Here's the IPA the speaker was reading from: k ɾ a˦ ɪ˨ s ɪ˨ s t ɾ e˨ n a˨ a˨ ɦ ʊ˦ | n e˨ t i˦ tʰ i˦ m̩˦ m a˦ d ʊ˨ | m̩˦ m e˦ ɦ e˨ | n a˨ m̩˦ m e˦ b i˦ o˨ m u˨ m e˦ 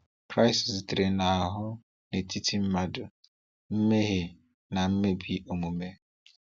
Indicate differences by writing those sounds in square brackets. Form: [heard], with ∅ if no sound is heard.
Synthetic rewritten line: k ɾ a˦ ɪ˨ s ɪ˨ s t ɾ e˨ n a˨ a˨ ɦ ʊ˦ | n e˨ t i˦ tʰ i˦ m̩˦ m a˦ d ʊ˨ | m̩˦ m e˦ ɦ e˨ | n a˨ m̩˦ m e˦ b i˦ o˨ m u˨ m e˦